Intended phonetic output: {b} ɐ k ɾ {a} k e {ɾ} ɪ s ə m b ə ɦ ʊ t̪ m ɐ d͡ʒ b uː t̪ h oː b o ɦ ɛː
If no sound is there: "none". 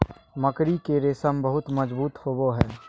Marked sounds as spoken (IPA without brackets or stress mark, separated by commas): m, i, ɾ